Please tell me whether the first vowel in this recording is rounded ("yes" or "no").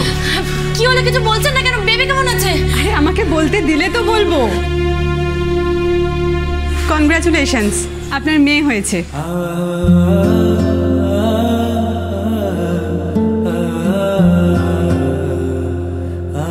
no